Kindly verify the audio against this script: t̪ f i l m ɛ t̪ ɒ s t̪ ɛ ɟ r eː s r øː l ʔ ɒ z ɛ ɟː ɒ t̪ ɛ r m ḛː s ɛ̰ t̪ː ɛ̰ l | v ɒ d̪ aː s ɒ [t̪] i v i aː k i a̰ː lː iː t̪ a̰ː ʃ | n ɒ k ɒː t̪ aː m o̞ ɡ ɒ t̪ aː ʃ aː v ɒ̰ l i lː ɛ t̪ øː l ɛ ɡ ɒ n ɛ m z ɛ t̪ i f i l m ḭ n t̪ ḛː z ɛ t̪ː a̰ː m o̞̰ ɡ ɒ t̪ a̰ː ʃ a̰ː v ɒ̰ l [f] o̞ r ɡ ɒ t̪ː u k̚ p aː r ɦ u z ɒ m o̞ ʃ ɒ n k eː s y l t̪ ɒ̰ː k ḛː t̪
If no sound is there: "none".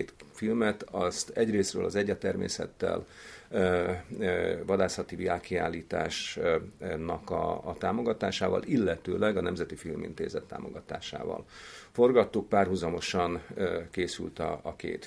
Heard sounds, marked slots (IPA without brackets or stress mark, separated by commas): t̪, f